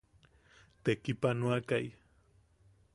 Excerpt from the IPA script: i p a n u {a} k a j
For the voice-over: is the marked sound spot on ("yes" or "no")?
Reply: yes